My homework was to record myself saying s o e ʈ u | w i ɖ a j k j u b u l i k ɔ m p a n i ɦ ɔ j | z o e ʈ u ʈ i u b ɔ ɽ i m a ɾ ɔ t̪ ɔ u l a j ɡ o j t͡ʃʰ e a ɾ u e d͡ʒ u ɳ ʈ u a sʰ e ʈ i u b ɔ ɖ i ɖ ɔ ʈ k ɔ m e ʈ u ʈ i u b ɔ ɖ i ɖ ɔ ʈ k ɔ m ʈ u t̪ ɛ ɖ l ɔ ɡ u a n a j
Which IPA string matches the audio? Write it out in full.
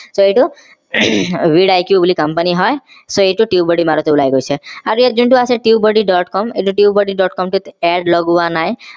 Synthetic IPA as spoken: s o e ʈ u | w i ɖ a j k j u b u l i k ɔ m p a n i ɦ ɔ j | s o e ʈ u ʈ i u b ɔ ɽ i m a ɾ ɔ t̪ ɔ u l a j ɡ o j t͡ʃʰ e a ɾ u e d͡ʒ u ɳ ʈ u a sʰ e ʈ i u b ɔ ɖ i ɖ ɔ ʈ k ɔ m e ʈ u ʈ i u b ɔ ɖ i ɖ ɔ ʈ k ɔ m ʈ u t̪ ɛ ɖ l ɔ ɡ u a n a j